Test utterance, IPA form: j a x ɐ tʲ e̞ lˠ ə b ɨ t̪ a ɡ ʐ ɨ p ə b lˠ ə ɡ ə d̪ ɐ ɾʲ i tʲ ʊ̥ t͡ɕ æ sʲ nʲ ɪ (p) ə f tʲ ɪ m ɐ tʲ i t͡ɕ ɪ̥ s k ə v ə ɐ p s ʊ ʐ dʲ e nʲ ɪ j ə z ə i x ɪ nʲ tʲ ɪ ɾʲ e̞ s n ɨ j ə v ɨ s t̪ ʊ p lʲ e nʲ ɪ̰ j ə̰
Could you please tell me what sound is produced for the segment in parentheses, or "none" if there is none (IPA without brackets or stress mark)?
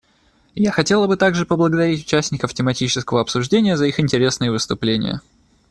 k